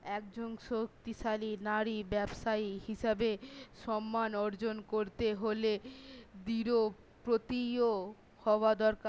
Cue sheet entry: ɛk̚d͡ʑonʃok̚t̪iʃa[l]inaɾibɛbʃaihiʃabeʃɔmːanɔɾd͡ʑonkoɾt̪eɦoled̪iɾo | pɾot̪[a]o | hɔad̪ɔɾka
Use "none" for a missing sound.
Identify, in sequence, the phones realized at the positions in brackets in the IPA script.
l, i

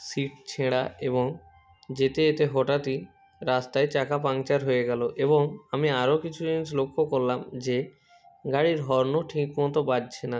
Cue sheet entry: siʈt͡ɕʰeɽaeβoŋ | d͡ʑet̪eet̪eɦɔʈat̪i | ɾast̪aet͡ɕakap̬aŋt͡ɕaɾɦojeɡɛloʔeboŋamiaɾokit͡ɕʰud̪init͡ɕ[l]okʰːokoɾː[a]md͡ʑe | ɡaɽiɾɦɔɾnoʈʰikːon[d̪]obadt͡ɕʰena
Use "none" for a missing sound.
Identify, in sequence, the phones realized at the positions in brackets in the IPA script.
l, a, t̪

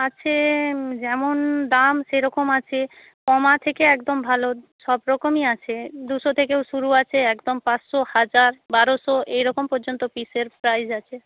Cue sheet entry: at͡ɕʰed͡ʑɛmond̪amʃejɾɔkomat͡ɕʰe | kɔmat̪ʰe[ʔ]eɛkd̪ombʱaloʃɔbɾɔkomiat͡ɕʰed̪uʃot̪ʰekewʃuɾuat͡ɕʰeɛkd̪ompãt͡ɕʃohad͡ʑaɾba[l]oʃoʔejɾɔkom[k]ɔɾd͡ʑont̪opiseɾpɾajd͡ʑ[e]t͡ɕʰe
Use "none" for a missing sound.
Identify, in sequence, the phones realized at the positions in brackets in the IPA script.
k, ɾ, p, a

